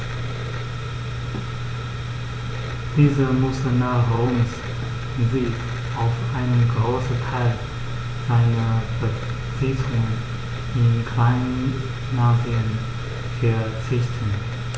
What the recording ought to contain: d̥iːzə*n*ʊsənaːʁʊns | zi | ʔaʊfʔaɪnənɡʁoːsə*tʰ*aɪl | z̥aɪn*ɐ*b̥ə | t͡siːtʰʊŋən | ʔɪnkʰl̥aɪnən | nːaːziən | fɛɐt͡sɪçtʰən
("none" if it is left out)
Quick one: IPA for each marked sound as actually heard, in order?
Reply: m, tʰ, ɐ

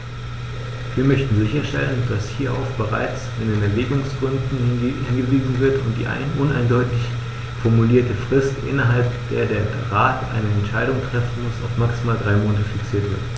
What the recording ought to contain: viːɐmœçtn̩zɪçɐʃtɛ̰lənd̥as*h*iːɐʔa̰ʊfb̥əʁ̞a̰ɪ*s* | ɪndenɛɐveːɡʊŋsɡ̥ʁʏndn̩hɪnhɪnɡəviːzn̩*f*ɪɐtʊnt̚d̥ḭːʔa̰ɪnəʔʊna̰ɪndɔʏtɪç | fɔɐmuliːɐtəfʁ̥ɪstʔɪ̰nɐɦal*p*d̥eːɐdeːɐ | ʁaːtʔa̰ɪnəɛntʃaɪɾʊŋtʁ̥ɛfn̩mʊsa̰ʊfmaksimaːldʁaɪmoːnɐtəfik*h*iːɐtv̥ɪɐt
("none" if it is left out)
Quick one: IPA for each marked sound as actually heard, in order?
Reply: h, t͡s, v, p, s

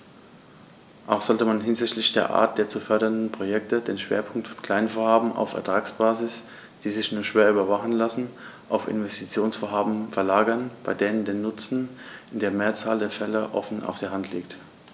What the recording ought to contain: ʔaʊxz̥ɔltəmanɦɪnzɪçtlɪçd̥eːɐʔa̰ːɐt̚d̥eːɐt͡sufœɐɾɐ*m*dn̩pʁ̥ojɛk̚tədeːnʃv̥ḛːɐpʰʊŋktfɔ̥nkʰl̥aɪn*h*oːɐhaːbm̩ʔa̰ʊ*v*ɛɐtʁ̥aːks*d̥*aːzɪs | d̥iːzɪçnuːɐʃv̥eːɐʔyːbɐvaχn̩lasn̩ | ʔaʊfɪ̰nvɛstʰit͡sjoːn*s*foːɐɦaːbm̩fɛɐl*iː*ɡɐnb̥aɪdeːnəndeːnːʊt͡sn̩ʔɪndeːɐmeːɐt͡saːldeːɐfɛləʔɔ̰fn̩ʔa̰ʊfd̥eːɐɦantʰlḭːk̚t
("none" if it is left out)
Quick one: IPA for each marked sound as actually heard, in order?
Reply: n, f, f, b̥, s, aː

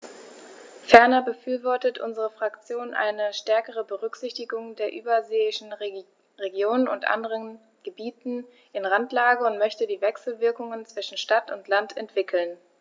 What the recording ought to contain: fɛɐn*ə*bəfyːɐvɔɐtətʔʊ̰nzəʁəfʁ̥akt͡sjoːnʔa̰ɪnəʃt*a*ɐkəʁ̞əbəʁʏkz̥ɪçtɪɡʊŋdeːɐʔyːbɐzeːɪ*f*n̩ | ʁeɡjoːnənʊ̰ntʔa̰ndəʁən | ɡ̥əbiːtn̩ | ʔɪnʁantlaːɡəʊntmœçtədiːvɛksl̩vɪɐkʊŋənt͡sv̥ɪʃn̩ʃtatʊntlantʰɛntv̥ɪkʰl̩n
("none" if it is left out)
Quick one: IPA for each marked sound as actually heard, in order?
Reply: ɐ, ɛ, ʃ

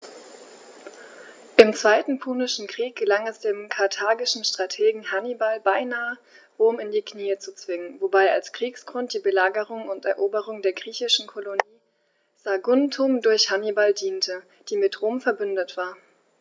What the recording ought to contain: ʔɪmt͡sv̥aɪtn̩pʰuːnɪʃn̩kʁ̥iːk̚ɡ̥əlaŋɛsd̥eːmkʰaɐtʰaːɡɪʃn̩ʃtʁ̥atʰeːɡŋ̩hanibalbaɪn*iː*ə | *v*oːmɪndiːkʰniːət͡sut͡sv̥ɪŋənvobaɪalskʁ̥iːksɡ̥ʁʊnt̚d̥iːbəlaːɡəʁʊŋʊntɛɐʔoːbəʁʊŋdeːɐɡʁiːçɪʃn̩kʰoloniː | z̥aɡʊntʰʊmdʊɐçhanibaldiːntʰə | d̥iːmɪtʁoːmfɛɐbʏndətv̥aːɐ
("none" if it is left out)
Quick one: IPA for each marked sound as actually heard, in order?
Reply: aː, ʁ

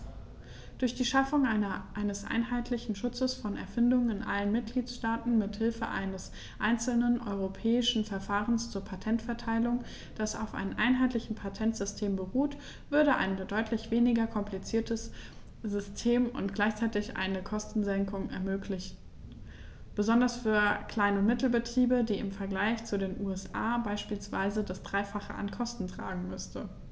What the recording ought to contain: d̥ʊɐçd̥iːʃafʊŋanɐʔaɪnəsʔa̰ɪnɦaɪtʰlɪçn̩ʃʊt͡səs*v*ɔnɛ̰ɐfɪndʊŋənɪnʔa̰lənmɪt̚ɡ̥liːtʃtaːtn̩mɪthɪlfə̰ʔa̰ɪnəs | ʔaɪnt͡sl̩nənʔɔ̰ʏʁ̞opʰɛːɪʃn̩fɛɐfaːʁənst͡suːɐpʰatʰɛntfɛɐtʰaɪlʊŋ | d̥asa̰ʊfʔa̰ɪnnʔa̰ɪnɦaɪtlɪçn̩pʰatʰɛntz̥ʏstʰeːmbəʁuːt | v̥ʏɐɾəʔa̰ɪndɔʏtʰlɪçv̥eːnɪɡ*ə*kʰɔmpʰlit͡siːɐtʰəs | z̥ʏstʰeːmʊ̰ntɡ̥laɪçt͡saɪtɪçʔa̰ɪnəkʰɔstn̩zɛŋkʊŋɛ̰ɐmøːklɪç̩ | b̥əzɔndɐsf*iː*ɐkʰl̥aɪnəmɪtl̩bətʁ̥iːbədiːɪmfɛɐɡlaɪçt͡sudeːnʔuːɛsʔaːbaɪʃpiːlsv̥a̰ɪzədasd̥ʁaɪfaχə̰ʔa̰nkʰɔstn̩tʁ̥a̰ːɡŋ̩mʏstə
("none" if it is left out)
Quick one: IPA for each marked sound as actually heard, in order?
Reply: f, ɐ, yː

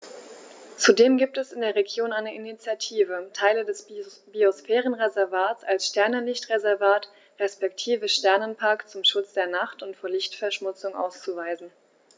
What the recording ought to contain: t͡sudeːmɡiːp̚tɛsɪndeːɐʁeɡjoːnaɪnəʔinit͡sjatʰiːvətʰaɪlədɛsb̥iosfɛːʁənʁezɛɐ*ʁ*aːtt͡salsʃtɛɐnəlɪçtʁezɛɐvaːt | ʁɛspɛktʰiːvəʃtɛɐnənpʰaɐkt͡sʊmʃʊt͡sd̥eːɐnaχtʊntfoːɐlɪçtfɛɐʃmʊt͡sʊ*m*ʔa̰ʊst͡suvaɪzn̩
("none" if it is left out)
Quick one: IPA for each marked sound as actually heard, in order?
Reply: v, ŋ

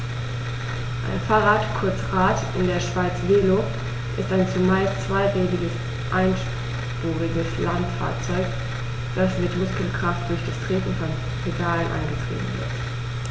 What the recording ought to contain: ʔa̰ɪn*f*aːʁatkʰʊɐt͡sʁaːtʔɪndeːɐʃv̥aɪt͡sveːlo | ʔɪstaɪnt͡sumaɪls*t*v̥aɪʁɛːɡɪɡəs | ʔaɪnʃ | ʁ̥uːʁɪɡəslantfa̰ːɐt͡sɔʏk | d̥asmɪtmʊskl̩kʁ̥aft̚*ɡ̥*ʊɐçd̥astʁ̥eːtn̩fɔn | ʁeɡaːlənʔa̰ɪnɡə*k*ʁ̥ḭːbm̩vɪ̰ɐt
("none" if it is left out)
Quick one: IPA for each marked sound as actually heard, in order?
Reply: f, t͡s, d̥, t

